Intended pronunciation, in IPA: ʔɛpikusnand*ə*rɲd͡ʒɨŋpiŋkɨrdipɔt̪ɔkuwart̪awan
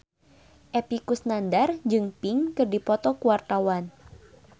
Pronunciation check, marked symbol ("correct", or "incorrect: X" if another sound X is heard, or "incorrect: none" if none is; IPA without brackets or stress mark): incorrect: a